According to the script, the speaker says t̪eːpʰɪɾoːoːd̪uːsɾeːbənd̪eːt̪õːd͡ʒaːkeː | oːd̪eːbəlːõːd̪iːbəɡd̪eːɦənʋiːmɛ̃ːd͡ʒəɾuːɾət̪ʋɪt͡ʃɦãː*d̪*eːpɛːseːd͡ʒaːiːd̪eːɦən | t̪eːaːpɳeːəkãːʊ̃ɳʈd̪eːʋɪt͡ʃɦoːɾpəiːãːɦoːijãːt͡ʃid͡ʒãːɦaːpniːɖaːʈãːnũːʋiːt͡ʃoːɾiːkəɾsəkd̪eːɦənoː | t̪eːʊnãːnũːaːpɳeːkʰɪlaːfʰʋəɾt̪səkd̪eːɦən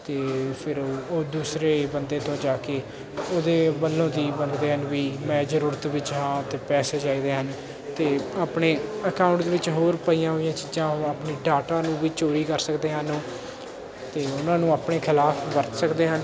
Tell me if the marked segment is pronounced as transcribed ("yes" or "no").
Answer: no